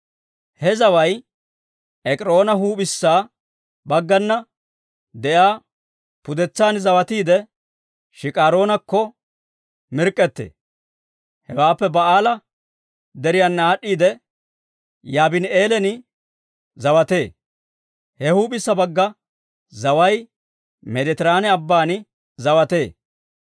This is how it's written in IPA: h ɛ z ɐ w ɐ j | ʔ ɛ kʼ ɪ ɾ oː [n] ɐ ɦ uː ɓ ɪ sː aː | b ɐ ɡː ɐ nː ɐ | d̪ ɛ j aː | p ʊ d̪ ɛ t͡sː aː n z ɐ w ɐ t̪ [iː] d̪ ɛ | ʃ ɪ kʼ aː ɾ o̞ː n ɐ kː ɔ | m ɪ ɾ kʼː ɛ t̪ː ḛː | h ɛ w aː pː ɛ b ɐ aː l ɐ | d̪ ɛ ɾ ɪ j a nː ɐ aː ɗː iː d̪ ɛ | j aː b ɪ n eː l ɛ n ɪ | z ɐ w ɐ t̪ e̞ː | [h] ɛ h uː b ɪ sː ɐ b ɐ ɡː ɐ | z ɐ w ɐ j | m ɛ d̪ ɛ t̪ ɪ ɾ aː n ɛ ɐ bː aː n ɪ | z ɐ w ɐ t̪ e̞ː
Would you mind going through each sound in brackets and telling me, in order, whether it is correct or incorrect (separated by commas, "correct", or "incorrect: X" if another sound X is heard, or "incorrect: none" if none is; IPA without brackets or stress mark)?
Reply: correct, correct, correct